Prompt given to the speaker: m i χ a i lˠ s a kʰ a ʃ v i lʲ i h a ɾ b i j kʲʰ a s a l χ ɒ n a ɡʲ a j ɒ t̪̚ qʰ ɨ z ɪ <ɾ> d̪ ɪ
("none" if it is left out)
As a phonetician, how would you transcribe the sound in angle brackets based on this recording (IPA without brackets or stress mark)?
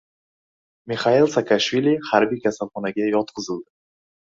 l